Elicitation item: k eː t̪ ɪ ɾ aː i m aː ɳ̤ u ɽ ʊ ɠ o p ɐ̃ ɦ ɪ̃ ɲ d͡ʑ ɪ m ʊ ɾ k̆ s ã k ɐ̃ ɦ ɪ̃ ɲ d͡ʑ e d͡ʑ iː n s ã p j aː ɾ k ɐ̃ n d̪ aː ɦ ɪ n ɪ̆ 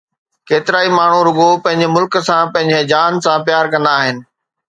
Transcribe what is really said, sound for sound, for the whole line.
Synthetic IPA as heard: k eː t̪ ɪ ɾ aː i m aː ɳ̤ u ɾ ʊ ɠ o p ɐ̃ ɦ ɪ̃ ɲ d͡ʑ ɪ m ʊ l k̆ s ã p ɐ̃ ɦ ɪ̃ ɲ d͡ʑ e d͡ʑ aː n s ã p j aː ɾ k ɐ̃ n d̪ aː ɦ ɪ n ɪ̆

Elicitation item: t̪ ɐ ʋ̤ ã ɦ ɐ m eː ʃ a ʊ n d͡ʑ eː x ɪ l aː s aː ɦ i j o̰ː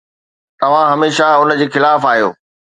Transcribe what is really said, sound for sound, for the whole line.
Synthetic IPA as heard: t̪ ɐ ʋ̤ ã ɦ ɐ m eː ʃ a ʊ n d͡ʑ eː x ɪ l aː f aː ɦ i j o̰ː

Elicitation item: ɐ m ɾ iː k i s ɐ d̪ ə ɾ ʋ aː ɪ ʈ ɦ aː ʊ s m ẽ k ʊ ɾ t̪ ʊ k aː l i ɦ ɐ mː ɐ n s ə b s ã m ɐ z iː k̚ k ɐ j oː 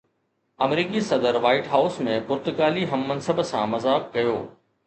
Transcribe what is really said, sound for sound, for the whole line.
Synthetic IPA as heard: ɐ m ɾ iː k i s ɐ d̪ ə ɾ ʋ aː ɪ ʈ ɦ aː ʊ s m ẽ p ʊ ɾ t̪ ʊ k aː l i ɦ ɐ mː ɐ n s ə b s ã m ɐ z aː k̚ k ɐ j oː

